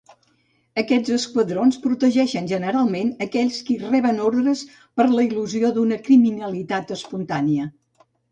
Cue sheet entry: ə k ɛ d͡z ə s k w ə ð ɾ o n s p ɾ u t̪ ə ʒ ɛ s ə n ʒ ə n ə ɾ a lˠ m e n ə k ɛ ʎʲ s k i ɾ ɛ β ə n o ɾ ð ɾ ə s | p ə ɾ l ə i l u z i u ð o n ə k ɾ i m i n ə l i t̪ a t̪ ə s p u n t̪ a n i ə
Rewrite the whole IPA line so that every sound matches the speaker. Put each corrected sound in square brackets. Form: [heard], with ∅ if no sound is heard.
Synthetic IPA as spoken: ə k ɛ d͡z ə s k w ə ð ɾ o n s p ɾ u t̪ ə ʒ ɛ [ʃ] ə n ʒ ə n ə ɾ a lˠ m e n ə k ɛ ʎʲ s k i [r] ɛ β ə n o ɾ ð ɾ ə s | p ə ɾ l ə i l u z i [o] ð [u] n ə k ɾ i m i n ə l i t̪ a t̪ ə s p u n t̪ a n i ə